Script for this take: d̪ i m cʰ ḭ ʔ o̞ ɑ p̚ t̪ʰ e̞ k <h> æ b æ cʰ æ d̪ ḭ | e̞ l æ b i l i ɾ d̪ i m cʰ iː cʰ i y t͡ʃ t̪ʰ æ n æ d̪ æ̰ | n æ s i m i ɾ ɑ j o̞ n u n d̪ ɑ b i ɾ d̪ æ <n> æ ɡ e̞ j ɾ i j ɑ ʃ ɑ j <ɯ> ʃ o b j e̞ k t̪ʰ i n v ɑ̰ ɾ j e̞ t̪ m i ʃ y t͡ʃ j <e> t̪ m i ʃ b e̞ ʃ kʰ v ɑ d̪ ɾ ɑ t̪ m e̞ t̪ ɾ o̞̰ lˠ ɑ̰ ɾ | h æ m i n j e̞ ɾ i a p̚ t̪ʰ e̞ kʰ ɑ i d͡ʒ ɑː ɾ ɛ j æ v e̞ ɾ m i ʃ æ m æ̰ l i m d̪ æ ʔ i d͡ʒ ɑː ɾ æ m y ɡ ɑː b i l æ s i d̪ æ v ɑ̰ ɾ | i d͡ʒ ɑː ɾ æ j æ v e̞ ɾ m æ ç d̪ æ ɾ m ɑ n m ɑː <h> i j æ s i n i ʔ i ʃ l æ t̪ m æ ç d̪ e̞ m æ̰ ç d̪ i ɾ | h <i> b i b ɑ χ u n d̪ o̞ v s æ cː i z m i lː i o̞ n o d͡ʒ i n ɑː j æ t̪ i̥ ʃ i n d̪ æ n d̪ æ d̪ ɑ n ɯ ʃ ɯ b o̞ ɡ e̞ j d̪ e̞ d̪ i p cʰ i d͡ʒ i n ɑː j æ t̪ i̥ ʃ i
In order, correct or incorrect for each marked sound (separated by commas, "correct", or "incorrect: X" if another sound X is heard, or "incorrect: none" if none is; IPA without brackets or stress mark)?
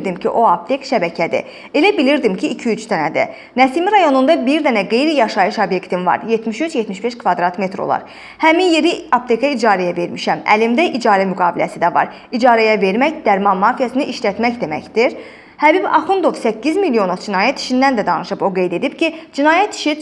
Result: incorrect: ʃ, correct, correct, correct, incorrect: f, incorrect: æ